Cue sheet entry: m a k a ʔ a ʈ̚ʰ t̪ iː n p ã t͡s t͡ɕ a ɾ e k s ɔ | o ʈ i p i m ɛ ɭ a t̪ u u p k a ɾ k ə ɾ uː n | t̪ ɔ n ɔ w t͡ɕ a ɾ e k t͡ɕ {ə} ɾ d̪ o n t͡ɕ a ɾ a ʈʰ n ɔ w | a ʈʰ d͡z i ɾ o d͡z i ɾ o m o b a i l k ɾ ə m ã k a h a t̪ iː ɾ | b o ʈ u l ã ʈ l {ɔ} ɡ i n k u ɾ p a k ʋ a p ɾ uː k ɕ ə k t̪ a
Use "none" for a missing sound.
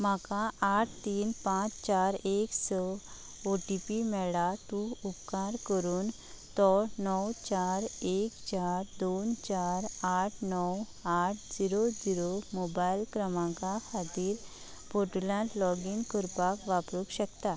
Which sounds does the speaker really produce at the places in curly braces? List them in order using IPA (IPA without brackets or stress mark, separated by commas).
a, ɔ